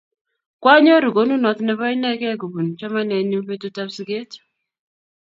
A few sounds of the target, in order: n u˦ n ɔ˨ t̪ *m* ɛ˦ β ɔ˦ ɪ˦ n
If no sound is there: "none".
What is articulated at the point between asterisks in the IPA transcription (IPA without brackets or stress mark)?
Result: n